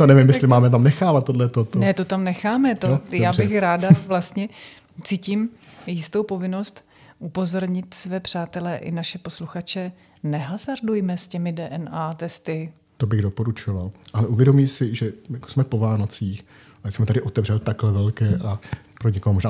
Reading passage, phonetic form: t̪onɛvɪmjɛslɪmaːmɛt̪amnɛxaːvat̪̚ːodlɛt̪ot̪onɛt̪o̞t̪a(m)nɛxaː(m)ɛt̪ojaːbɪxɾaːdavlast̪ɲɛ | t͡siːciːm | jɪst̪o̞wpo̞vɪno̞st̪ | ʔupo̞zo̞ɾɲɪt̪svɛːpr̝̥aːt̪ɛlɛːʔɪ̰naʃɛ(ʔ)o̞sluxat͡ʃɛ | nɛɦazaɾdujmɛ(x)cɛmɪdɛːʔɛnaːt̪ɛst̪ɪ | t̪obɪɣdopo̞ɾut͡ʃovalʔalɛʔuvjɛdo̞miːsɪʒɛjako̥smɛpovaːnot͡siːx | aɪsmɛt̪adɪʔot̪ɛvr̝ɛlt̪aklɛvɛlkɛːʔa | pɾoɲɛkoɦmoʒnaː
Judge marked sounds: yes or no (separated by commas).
yes, yes, no, no